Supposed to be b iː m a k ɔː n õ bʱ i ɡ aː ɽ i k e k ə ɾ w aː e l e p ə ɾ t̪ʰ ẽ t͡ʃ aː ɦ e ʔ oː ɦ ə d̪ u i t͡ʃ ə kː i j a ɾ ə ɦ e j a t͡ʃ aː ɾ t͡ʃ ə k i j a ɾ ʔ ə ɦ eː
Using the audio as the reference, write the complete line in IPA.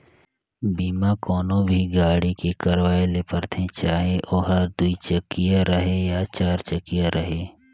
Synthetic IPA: b iː m a k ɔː n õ bʱ i ɡ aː ɽ i k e k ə ɾ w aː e l e p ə ɾ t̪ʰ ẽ t͡ʃ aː ɦ e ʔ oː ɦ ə d̪ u i t͡ʃ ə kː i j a ɾ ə ɦ e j a t͡ʃ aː ɾ t͡ʃ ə k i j a ɾ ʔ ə ɦ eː